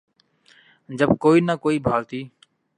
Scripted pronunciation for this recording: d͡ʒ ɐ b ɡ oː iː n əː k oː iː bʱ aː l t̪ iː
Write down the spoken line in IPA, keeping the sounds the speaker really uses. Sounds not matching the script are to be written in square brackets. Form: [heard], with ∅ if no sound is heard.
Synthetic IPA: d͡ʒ [ə] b [k] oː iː n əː k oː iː bʱ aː l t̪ iː